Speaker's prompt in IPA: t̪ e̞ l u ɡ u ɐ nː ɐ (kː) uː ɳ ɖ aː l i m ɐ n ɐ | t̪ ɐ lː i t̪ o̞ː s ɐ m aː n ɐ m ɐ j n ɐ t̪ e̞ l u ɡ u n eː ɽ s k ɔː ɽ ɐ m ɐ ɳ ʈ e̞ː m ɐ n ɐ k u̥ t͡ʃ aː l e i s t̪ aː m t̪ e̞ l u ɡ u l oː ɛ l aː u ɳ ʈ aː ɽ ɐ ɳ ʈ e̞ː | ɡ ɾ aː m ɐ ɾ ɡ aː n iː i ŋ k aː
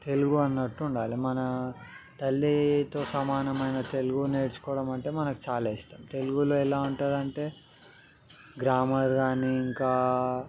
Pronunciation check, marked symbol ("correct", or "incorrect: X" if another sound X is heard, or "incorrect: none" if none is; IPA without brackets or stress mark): incorrect: ʈː